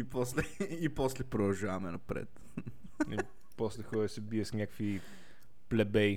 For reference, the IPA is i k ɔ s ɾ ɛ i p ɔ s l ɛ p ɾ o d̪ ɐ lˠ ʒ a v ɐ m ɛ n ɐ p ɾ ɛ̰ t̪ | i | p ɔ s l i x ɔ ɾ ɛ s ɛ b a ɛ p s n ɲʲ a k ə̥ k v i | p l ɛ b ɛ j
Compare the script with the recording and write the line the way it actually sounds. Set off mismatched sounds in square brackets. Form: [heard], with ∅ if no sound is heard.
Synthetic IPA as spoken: i [p] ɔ s [l] ɛ i p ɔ s l ɛ p ɾ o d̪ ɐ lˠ ʒ a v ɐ m ɛ n ɐ p ɾ ɛ̰ t̪ | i | p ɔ s l [ɛ] x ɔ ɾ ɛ s ɛ b [i] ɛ [∅] s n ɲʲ a k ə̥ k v i | p l ɛ b ɛ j